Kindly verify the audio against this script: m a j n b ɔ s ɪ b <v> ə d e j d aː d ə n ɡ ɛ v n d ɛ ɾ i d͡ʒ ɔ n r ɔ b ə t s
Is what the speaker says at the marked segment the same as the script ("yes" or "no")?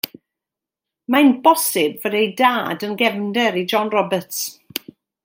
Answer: yes